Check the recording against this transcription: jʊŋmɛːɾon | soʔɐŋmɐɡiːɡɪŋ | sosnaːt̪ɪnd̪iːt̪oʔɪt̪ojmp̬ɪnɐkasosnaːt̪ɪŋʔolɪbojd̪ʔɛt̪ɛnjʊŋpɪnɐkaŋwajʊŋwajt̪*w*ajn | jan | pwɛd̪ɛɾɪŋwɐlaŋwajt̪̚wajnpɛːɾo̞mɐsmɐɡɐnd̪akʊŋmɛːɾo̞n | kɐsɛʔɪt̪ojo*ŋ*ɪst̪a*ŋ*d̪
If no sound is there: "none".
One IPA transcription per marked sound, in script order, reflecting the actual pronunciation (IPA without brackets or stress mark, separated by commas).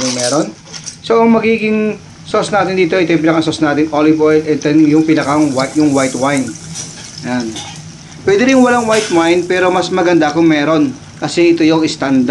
w, ŋ, n